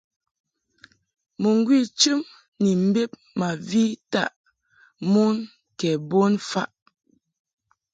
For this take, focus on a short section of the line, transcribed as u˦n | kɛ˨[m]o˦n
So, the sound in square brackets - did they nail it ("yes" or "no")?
no